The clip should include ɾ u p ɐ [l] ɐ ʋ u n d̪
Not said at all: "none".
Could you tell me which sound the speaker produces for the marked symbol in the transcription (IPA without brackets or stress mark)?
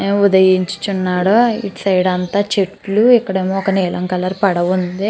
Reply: ɽ